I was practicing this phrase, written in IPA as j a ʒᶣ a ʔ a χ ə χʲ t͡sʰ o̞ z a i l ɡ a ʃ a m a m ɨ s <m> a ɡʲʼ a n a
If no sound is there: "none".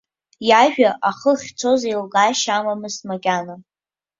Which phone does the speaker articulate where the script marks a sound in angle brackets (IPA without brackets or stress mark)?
m